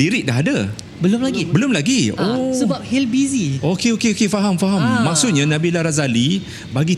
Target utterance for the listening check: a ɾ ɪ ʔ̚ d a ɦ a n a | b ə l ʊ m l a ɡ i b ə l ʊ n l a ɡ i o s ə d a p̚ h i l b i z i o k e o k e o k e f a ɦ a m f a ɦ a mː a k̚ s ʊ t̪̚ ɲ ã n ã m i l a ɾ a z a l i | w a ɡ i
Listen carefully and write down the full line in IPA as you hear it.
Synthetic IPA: i ɾ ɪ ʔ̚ d a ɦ a d a | b ə l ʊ m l a ɡ i b ə l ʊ m l a ɡ i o s ə b a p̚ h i l b i z i o k e o k e o k e f a ɦ a m f a ɦ a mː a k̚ s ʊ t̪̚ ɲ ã n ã b i l a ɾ a z a l i | b a ɡ i